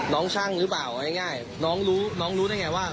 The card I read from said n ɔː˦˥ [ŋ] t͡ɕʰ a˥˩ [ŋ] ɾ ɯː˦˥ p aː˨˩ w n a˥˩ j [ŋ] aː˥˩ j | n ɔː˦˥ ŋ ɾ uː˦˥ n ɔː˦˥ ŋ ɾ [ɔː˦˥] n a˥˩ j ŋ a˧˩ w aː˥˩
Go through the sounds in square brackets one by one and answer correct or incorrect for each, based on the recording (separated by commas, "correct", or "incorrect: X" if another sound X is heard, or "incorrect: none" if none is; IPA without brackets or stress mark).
correct, correct, correct, incorrect: uː˦˥